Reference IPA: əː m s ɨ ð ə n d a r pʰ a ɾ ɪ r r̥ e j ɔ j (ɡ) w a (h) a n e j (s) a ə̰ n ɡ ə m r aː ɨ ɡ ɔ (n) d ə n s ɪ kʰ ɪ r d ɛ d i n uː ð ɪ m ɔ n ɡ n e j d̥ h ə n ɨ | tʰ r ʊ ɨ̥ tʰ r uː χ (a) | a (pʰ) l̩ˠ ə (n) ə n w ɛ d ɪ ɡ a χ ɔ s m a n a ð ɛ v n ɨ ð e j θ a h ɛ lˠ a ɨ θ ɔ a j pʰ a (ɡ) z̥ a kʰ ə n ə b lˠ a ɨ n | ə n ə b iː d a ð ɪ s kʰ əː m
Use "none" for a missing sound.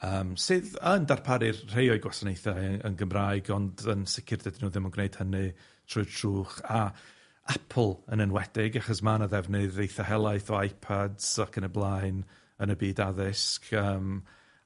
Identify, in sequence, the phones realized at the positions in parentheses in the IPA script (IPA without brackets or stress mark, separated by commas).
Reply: ɡ, s, θ, n, a, pʰ, n, d